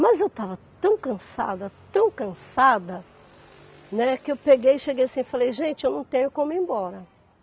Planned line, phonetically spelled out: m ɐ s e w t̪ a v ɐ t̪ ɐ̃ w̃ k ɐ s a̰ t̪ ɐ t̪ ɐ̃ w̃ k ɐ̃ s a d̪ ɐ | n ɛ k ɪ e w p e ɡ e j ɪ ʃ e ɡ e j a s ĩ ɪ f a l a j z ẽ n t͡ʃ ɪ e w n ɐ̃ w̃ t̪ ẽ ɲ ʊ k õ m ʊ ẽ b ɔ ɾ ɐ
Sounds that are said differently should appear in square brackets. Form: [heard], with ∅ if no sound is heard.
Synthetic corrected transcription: m ɐ [z] e w t̪ a v ɐ t̪ ɐ̃ w̃ k [ɐ̃] s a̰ [d̪] ɐ t̪ ɐ̃ w̃ k ɐ̃ s a d̪ ɐ | n ɛ k ɪ e w p e ɡ e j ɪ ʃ e ɡ e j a s ĩ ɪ f a l [e] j [ʒ] ẽ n t͡ʃ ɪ e w n ɐ̃ w̃ t̪ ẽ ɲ ʊ k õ m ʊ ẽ b ɔ ɾ ɐ